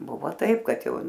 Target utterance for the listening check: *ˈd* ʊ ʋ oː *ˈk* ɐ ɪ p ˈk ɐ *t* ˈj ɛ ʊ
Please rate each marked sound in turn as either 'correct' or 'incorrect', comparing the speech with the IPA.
incorrect: b, incorrect: t, correct

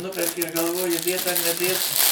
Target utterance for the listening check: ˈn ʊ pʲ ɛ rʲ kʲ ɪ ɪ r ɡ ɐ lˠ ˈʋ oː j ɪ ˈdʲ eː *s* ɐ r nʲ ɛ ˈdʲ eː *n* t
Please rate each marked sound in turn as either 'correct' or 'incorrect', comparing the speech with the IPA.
incorrect: t, incorrect: none

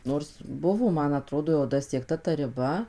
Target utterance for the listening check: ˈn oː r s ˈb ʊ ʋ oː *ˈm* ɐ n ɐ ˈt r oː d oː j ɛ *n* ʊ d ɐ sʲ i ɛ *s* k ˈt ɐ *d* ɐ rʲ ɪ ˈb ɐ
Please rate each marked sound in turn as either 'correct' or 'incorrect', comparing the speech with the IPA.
correct, incorrect: none, incorrect: none, incorrect: t

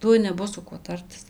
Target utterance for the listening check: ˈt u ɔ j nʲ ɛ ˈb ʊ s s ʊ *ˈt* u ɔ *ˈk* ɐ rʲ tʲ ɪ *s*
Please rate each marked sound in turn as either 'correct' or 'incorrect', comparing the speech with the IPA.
incorrect: k, incorrect: t, correct

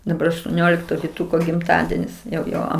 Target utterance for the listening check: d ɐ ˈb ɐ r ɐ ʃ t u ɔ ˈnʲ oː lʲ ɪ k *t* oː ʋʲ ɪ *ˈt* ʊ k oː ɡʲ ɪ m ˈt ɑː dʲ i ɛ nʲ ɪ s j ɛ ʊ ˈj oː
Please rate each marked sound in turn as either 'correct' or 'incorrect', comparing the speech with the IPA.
correct, correct

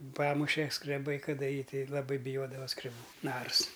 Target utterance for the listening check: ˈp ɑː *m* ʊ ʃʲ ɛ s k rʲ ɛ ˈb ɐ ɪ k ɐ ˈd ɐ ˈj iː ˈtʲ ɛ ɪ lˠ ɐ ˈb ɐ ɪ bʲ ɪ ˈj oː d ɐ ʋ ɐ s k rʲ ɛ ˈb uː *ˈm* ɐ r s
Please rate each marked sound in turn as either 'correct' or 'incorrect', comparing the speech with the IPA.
correct, incorrect: n

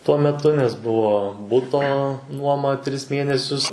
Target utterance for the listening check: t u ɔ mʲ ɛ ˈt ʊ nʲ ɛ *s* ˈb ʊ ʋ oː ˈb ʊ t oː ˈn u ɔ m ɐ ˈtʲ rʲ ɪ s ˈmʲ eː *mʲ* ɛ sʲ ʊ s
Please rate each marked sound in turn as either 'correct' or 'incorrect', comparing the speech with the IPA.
correct, incorrect: nʲ

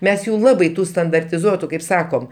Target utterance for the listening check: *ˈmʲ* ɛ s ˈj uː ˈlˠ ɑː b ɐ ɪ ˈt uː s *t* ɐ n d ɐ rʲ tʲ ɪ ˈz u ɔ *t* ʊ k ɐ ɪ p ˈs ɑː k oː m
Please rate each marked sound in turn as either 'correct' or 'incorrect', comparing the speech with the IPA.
correct, correct, correct

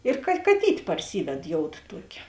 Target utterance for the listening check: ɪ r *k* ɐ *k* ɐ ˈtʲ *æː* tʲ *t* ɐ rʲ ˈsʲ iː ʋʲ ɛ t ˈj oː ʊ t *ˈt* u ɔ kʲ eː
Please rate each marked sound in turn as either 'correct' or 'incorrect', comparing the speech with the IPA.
correct, correct, incorrect: iː, incorrect: p, correct

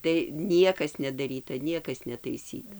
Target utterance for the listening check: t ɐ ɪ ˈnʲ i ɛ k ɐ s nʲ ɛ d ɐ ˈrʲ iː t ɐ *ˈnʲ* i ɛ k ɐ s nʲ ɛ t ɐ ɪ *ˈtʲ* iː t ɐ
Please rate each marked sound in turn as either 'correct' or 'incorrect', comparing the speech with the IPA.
correct, incorrect: sʲ

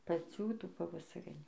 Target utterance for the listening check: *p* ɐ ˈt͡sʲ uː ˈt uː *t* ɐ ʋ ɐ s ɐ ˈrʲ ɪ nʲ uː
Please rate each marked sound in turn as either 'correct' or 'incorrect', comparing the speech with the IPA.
correct, incorrect: p

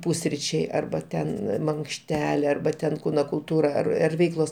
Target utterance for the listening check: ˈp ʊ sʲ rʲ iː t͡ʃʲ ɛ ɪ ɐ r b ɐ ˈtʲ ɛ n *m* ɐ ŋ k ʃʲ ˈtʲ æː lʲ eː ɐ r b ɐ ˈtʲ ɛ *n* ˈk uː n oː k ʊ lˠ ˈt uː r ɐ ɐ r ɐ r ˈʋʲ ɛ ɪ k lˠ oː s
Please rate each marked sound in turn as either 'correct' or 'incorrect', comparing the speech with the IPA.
correct, correct

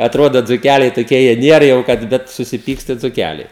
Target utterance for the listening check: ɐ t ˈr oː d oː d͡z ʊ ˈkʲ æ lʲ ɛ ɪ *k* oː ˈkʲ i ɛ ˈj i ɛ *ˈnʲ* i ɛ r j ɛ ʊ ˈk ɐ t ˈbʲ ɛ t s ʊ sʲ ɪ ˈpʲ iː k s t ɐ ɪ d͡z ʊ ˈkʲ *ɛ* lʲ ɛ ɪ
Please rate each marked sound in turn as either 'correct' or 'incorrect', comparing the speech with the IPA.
incorrect: t, correct, incorrect: æ

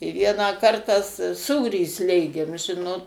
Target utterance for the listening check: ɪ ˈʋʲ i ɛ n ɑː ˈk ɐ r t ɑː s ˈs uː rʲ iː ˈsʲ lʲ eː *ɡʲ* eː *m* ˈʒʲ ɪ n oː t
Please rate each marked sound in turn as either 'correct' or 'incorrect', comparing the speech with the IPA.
correct, correct

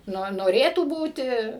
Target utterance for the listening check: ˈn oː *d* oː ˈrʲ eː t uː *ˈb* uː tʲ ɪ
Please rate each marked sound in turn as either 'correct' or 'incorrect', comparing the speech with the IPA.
incorrect: n, correct

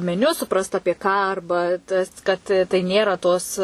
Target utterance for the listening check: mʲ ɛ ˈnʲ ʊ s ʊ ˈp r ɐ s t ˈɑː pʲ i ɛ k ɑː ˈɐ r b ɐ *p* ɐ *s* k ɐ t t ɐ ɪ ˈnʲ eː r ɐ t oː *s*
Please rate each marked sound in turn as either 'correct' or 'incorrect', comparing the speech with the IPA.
incorrect: t, correct, correct

